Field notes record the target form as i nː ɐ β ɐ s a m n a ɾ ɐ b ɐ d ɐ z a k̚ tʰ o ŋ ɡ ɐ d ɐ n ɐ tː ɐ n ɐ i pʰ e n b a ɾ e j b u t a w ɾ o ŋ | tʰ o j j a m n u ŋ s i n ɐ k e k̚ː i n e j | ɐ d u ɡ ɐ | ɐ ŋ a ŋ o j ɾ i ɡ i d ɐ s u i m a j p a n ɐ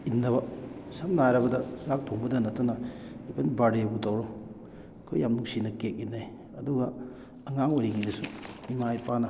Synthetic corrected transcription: i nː ɐ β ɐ s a m n a ɾ ɐ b ɐ d ɐ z a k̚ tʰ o ŋ b ɐ d ɐ n ɐ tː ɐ n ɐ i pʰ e n b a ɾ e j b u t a w ɾ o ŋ | kʰ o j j a m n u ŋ s i n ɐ k e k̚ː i n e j | ɐ d u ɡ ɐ | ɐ ŋ a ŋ o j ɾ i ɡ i d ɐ s u i m a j p a n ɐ